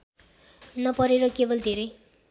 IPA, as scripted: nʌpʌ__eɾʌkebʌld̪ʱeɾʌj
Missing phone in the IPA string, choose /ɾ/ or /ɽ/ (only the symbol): ɾ